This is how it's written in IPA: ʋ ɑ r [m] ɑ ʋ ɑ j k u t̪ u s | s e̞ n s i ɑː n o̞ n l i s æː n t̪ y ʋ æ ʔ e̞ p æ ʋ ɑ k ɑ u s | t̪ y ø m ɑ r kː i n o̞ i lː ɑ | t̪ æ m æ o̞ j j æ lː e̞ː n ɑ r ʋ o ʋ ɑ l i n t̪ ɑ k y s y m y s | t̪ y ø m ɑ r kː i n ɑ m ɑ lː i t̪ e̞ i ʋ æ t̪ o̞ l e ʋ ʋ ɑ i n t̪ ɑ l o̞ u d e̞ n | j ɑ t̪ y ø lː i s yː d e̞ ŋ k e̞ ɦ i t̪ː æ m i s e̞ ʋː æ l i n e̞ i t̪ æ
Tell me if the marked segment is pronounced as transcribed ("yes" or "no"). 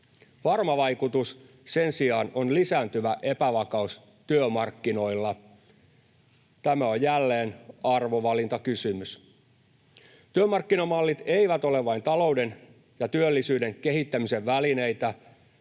yes